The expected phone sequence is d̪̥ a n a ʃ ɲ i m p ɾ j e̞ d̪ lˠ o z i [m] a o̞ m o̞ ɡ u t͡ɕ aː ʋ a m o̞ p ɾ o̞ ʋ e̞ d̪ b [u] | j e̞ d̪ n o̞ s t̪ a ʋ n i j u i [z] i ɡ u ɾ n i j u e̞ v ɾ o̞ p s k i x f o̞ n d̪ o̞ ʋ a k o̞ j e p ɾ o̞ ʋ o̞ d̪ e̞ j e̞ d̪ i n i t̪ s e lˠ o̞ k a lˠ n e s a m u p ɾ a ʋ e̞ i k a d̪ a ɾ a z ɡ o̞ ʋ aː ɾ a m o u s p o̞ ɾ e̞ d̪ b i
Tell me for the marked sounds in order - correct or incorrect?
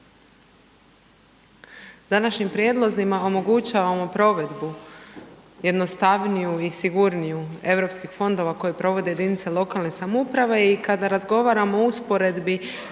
correct, correct, incorrect: s

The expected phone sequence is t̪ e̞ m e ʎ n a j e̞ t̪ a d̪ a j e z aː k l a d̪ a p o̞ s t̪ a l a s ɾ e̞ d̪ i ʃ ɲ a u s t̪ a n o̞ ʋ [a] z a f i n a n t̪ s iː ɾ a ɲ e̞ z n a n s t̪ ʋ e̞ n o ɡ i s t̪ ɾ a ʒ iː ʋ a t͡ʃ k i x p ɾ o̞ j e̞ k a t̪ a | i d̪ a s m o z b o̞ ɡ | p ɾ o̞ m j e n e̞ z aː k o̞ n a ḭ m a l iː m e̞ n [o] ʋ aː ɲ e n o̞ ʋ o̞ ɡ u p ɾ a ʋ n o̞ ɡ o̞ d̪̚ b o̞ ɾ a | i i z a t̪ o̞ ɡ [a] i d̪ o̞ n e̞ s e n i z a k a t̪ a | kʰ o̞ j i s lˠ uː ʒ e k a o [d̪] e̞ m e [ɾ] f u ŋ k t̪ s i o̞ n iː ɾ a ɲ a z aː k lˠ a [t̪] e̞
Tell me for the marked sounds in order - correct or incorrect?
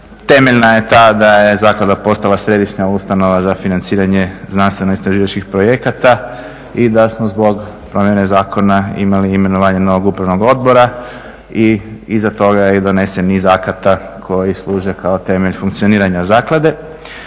correct, correct, correct, incorrect: t̪, incorrect: ʎ, incorrect: d̪

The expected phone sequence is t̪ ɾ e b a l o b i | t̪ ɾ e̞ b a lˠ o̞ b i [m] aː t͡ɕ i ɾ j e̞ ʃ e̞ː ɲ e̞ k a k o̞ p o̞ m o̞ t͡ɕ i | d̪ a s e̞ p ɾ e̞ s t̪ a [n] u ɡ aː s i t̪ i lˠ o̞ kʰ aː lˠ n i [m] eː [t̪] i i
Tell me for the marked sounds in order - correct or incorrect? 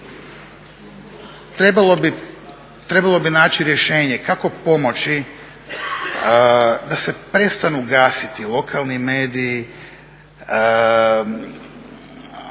incorrect: n, correct, correct, incorrect: d̪

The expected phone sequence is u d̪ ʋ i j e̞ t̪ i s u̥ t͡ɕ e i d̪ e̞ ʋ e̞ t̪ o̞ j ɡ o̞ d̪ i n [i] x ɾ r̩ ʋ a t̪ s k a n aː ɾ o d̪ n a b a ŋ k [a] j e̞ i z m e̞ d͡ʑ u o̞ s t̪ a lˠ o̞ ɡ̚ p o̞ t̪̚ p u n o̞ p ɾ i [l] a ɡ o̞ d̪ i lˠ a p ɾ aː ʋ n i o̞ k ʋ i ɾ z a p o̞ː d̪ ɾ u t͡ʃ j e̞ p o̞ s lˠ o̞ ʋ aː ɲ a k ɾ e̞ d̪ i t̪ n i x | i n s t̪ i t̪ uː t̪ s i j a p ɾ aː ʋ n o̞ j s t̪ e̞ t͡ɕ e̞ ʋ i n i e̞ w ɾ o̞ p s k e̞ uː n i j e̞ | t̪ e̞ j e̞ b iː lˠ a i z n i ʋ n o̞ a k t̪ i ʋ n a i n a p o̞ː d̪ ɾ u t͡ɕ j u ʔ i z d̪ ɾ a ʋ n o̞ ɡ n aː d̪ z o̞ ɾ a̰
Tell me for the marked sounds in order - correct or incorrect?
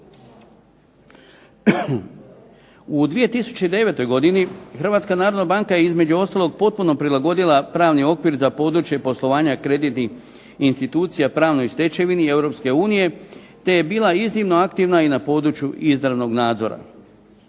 correct, correct, correct

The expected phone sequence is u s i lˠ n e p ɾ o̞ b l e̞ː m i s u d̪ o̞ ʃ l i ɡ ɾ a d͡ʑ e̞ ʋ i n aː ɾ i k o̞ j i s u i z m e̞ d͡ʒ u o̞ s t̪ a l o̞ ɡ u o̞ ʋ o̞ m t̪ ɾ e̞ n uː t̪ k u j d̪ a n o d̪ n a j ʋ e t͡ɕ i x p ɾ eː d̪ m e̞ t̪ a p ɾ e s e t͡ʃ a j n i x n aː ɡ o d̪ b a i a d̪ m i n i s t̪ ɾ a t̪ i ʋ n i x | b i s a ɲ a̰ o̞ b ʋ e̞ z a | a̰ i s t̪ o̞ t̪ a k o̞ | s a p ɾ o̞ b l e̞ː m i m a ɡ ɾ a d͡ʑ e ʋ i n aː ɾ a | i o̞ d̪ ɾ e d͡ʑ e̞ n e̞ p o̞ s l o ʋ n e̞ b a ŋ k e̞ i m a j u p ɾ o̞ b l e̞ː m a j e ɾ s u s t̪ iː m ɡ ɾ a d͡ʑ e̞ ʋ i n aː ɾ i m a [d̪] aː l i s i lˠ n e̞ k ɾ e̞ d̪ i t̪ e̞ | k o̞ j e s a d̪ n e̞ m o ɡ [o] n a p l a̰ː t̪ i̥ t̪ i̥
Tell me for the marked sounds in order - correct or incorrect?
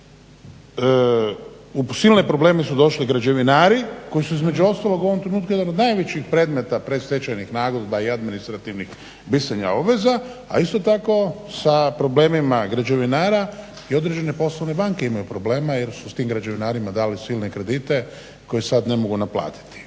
correct, incorrect: u

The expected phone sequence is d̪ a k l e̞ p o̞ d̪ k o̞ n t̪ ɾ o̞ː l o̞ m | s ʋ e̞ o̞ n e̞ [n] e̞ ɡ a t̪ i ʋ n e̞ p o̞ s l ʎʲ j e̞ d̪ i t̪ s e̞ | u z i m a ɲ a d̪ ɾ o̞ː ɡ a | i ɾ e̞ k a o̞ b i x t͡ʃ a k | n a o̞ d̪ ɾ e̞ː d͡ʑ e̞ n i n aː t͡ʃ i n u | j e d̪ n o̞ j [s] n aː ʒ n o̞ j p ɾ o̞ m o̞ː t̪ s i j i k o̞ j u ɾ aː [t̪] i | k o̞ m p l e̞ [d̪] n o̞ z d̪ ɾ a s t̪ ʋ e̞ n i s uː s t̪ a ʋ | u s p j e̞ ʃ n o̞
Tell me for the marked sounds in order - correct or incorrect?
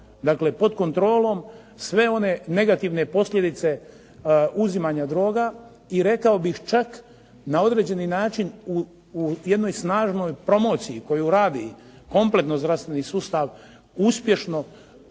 correct, correct, incorrect: d̪, incorrect: t̪

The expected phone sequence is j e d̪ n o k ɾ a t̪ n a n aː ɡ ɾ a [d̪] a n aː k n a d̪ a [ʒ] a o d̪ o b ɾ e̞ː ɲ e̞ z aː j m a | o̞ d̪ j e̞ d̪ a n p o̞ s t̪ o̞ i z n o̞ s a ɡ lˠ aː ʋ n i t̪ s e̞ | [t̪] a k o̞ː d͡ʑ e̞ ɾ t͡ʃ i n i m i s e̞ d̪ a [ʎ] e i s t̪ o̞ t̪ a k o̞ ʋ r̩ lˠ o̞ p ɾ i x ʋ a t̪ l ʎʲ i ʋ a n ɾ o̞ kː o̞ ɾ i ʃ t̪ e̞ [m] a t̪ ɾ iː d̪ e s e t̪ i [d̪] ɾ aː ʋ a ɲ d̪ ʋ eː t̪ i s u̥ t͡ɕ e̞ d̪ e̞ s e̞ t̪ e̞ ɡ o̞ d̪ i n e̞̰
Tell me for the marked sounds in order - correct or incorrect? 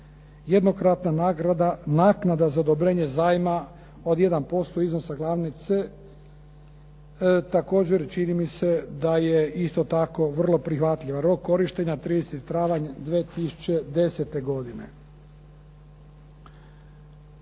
correct, incorrect: z, correct, incorrect: j, incorrect: ɲ, incorrect: t̪

